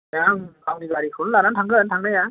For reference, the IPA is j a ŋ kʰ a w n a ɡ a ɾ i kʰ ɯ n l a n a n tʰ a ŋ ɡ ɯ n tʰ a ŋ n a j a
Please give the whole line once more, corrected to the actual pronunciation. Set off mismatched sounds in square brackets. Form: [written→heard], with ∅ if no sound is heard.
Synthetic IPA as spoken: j a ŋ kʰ a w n [a→i] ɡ a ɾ i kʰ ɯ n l a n a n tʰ a ŋ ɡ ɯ n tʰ a ŋ n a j a